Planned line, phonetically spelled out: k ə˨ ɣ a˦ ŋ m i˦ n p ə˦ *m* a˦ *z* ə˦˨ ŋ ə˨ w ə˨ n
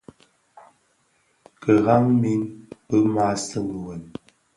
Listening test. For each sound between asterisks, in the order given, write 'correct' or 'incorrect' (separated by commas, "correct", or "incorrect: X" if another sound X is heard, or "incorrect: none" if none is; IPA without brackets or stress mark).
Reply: correct, incorrect: s